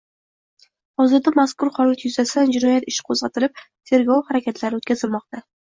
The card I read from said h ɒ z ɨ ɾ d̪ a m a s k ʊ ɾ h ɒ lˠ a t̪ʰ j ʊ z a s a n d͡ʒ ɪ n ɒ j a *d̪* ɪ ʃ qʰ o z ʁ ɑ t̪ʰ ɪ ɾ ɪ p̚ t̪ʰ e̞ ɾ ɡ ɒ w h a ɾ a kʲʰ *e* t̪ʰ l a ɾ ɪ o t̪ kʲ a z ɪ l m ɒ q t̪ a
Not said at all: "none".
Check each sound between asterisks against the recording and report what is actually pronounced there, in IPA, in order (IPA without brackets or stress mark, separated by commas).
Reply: t̪, a